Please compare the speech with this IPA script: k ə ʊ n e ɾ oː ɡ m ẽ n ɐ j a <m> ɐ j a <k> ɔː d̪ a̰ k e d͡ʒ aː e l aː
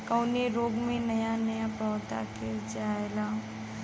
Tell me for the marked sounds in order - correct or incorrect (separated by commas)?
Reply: incorrect, incorrect